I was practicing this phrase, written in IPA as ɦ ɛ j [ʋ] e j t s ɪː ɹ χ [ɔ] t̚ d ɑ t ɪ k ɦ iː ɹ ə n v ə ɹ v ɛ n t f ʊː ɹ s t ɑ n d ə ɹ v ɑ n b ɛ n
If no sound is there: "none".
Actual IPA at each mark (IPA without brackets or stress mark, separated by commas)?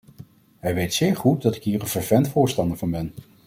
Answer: ʋ, u